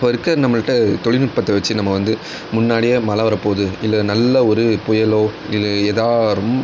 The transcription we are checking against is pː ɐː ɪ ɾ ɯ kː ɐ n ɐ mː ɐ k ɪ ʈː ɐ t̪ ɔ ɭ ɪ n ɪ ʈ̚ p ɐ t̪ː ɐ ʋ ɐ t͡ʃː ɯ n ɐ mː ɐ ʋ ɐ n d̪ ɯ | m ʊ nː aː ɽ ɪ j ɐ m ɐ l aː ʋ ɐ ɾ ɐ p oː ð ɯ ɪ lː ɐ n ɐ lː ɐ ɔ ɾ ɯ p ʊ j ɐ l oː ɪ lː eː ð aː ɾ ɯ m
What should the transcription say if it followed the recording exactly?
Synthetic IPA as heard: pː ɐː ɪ ɾ ɯ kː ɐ n ɐ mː ɐ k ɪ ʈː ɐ t̪ ɔ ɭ ɪ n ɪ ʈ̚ p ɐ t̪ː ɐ ʋ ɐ t͡ʃː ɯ n ɐ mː ɐ ʋ ɐ n d̪ ɯ | m ʊ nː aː ɽ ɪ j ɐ m ɐ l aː ʋ ɐ ɾ ɐ p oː ð ɯ ɪ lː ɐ n ɐ lː ɐ ɔ ɾ ɯ p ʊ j ɐ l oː ɪ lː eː ð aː ɾ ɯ m